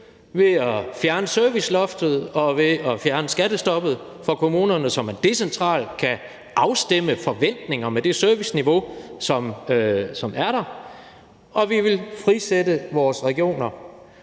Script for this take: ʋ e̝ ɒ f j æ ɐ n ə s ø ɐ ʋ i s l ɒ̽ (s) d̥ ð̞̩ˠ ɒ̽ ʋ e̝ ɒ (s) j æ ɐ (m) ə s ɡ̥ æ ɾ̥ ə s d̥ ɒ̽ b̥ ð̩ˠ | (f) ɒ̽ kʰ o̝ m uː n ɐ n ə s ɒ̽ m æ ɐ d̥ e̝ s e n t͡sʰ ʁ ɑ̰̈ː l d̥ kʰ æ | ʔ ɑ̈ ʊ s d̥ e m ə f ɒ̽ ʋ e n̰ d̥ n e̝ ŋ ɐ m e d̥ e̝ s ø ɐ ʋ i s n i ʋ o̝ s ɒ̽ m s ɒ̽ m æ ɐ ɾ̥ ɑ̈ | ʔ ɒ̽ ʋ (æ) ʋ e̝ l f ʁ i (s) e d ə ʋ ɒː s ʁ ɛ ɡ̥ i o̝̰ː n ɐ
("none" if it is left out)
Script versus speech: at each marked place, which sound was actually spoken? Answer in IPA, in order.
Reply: f, f, n, f, i, s

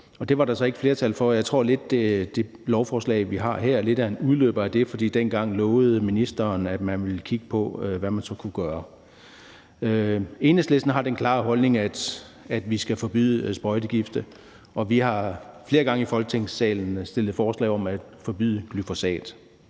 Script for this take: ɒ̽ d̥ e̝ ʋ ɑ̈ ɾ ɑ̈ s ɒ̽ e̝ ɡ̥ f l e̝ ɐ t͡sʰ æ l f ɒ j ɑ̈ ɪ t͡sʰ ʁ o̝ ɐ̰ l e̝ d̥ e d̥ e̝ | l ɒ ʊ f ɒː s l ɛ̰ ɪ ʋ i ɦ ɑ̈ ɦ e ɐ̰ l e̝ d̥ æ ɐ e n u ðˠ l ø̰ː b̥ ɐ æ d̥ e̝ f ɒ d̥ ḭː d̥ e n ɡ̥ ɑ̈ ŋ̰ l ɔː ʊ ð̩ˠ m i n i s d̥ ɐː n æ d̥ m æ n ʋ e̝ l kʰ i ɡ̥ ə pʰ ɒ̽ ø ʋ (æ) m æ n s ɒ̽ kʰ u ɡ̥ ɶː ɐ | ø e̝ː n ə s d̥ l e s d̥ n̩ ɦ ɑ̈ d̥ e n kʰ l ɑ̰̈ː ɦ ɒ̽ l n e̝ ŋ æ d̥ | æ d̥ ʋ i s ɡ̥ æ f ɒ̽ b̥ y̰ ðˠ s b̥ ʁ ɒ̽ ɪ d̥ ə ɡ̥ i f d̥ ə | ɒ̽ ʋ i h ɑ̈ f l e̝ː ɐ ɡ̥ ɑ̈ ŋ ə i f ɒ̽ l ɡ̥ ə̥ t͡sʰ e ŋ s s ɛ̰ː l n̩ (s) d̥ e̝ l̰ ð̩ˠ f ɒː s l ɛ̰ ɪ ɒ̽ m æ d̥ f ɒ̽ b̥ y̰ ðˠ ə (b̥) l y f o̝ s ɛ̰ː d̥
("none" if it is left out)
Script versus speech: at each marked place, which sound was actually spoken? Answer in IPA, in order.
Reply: æ, s, ɡ̥

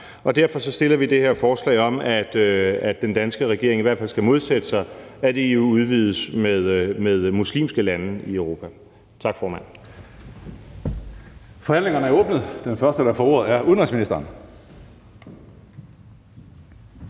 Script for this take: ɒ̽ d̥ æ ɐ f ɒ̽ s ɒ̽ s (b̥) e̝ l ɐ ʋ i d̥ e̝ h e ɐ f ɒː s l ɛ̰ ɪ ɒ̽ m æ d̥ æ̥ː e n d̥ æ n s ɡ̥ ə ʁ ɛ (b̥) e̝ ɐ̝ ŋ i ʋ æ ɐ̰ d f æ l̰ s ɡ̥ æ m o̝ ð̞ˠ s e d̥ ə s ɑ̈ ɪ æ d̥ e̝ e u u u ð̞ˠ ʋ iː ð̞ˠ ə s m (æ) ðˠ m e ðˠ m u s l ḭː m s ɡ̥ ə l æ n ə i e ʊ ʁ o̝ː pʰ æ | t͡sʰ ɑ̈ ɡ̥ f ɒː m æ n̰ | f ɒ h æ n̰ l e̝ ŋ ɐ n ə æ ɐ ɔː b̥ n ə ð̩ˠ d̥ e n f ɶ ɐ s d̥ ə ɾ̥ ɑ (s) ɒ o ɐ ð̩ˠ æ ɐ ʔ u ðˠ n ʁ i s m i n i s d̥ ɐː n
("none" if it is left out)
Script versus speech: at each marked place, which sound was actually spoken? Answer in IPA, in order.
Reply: d̥, ɡ̥, e, f

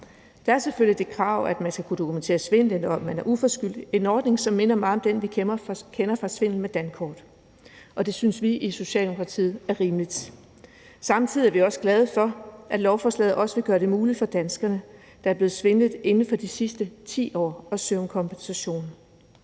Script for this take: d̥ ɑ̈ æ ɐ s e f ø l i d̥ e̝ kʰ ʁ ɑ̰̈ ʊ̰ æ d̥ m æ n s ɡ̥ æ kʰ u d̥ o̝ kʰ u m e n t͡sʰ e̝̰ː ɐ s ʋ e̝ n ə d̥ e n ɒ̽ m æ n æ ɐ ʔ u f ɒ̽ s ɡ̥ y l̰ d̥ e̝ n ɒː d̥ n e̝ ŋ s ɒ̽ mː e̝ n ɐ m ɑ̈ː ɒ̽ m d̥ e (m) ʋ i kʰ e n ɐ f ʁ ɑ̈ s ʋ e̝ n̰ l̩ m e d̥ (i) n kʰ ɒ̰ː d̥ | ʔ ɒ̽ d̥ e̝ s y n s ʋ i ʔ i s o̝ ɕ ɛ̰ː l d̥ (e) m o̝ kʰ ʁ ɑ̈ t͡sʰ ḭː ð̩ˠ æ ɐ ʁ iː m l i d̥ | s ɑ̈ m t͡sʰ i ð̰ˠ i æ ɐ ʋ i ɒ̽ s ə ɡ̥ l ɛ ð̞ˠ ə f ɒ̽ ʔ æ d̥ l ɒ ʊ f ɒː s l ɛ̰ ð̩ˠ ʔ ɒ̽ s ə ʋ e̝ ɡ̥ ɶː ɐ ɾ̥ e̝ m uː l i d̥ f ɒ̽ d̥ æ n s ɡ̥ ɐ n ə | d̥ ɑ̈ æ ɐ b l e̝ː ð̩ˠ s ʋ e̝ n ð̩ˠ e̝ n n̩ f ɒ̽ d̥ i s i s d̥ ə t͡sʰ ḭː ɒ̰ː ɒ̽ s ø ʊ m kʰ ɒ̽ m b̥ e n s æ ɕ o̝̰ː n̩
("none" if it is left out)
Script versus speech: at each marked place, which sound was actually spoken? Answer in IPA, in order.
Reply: n, æ, e

